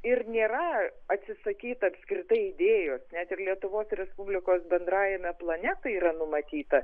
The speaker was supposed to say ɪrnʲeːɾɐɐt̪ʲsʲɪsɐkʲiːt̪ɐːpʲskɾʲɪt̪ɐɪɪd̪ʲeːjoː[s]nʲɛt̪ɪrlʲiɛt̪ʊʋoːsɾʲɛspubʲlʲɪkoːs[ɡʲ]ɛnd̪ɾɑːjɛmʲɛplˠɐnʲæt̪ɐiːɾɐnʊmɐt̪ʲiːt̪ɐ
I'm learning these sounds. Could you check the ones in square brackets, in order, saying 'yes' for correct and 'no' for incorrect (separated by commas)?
yes, no